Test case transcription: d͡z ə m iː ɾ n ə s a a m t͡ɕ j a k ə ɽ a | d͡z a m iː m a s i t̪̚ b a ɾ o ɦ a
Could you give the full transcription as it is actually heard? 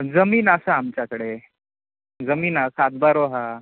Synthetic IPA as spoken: d͡z ə m iː n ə s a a m t͡ɕ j a k ə ɽ e | d͡z ə m iː n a s a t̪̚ b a ɾ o ɦ a

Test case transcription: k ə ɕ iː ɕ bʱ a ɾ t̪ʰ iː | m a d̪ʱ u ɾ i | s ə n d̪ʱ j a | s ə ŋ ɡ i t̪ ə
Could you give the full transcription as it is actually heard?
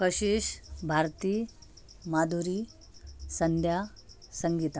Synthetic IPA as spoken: k ə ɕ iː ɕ bʱ a ɾ t̪ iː | m a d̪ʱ u ɾ i | s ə n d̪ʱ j a | s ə ŋ ɡ i t̪ a

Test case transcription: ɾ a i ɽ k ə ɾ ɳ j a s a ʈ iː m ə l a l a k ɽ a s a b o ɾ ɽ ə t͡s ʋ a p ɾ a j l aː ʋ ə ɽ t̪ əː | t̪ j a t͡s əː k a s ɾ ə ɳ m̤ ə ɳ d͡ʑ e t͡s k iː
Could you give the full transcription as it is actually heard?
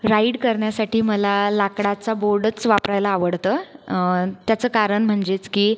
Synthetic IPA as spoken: ɾ a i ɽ k ə ɾ ɳ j a s a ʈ iː m ə l a l a k ɽ a t͡s a b o ɾ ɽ ə t͡s ʋ a p ɾ a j l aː ʋ ə ɽ t̪ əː | t̪ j a t͡s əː k a ɾ ə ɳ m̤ ə ɳ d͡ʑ e t͡s k iː

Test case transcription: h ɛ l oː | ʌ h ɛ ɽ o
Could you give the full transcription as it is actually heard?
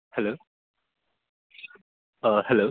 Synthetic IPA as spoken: h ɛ l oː | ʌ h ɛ l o

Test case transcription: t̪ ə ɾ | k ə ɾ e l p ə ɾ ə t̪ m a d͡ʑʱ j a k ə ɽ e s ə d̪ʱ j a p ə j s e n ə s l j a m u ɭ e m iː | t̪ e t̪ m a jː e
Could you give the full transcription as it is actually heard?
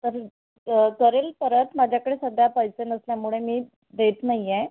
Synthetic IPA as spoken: t̪ ə ɾ | k ə ɾ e l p ə ɾ ə t̪ m a d͡ʑʱ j a k ə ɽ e s ə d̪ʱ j a p ə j s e n ə s l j a m u ɭ e m iː | d̪ e t̪ n a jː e

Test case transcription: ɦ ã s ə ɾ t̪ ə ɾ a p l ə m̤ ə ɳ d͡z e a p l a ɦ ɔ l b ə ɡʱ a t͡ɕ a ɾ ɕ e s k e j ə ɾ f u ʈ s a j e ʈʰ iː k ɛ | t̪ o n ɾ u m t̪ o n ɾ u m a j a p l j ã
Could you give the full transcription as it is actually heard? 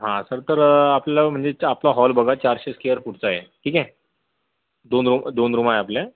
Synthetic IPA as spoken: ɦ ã s ə ɾ t̪ ə ɾ a p l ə m̤ ə ɳ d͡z e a p l a ɦ ɔ l b ə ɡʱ a t͡ɕ a ɾ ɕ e s k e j ə ɾ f u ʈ t͡s a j e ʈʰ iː k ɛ | d̪ o n ɾ u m d̪ o n ɾ u m a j a p l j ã

